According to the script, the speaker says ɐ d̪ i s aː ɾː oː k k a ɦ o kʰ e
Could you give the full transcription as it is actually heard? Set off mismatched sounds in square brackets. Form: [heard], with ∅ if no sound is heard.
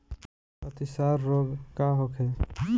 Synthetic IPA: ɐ [t̪] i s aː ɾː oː [ɡ] k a ɦ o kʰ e